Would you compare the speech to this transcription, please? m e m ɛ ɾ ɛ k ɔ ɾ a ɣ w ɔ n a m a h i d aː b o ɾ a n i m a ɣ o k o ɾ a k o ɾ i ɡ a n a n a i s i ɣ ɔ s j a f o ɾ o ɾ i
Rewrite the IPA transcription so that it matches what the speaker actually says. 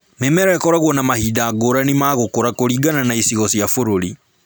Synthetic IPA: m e m ɛ ɾ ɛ k ɔ ɾ a ɣ w ɔ n a m a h i d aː ɡ o ɾ a n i m a ɣ o k o ɾ a k o ɾ i ɡ a n a n a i s i ɣ ɔ s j a f o ɾ o ɾ i